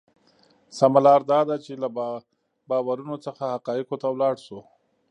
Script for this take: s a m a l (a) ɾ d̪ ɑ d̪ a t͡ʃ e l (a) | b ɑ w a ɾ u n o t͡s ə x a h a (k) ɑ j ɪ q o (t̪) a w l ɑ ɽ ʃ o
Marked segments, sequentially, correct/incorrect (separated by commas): incorrect, correct, incorrect, correct